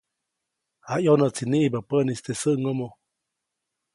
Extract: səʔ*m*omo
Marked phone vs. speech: incorrect: ŋ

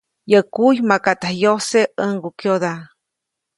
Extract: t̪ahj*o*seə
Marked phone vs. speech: correct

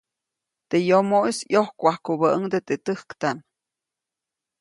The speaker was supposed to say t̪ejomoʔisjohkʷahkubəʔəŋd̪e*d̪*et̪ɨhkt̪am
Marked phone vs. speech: incorrect: t̪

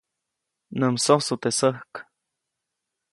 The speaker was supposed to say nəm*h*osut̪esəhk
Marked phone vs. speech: incorrect: s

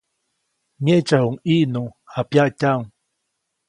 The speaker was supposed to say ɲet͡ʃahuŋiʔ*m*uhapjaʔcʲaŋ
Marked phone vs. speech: incorrect: n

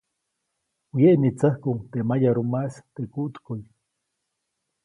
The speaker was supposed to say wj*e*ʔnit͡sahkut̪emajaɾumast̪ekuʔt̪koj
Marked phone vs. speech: correct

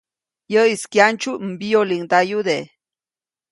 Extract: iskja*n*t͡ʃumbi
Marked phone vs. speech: correct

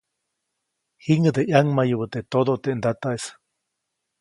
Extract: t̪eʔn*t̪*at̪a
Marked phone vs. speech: incorrect: d̪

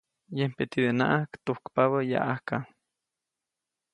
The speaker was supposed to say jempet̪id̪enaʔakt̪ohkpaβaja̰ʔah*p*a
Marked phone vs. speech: incorrect: k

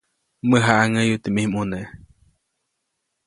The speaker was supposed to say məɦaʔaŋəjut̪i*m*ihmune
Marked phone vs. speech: correct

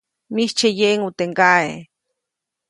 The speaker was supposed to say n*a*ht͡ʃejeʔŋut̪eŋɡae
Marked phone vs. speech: incorrect: i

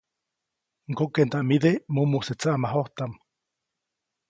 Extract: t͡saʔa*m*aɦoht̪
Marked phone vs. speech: correct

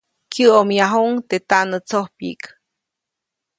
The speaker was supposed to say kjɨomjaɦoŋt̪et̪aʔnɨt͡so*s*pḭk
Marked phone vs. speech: incorrect: h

